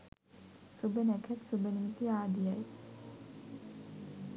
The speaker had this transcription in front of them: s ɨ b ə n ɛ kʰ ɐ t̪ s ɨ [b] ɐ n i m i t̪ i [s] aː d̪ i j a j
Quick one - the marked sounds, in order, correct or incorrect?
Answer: correct, incorrect: none

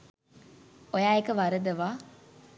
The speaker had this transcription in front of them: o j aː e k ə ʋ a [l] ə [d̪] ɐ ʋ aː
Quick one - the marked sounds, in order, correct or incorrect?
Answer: incorrect: ɾ, correct

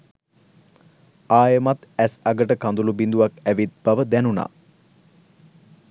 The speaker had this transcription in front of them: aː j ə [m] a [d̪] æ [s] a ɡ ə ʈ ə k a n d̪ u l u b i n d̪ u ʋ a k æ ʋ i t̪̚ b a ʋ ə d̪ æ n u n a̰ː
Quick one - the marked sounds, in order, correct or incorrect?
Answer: correct, incorrect: t̪, correct

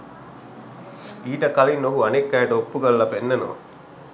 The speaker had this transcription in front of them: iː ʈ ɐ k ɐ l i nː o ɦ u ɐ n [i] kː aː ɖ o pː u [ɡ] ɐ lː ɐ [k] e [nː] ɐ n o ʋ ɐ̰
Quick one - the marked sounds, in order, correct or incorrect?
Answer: incorrect: e, correct, incorrect: p, correct

